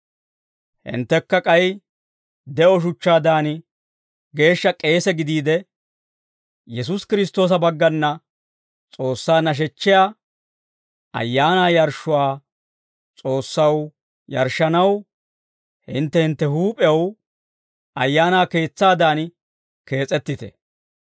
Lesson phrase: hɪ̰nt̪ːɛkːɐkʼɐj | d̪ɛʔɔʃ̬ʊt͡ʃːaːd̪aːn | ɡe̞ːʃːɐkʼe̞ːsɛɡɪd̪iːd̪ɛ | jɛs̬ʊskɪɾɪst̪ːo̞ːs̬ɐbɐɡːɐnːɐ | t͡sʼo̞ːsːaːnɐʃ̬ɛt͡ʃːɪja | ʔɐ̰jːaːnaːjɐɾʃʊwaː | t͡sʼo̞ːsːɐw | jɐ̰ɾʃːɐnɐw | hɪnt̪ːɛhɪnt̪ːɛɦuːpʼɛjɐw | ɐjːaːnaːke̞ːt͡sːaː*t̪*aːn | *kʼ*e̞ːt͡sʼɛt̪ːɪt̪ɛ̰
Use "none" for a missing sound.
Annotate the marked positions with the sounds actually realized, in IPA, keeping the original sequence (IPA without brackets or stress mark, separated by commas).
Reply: d̪, k